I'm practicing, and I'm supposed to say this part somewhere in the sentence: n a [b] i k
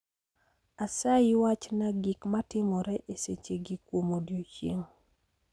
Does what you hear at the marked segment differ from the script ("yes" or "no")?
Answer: yes